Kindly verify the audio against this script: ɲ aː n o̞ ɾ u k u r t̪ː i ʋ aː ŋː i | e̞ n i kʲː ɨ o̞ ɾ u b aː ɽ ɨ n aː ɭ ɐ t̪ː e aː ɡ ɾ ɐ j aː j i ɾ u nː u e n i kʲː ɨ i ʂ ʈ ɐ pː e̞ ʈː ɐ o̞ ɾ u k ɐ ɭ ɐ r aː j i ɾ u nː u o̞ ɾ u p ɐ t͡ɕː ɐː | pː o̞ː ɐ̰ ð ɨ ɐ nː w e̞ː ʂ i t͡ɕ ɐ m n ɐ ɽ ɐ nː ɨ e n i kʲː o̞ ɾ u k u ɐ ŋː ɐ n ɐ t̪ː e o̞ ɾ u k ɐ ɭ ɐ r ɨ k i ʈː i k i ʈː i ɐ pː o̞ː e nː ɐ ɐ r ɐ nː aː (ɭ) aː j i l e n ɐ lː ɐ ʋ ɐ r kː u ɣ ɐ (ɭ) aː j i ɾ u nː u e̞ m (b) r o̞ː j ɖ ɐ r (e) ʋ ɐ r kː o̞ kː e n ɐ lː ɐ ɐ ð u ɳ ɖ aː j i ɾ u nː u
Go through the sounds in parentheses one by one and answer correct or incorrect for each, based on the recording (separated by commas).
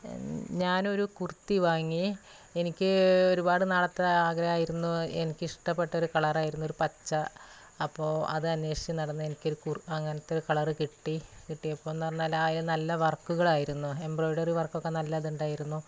incorrect, correct, correct, incorrect